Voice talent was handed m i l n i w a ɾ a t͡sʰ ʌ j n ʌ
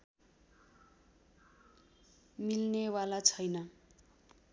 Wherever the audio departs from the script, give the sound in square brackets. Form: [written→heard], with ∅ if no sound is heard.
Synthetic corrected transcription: m i l n [i→e] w a [ɾ→l] a t͡sʰ ʌ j n ʌ